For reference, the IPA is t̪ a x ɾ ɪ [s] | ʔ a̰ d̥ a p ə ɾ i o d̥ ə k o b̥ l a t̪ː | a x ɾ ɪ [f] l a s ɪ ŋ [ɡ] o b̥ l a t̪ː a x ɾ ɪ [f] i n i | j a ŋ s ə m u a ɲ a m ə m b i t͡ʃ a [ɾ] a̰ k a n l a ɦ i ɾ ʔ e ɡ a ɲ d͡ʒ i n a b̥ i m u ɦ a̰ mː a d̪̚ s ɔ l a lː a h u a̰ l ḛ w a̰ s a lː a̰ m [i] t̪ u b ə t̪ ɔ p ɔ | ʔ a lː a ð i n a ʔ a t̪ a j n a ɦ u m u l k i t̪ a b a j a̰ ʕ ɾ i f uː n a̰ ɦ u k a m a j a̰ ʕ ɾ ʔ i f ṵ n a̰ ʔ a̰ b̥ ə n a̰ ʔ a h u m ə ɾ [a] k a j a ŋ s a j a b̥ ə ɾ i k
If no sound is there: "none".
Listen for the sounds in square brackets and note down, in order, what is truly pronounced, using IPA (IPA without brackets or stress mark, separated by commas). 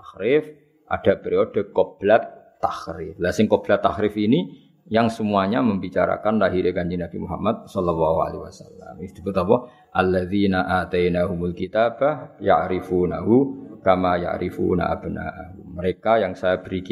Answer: f, f, k, f, ɾ, i, e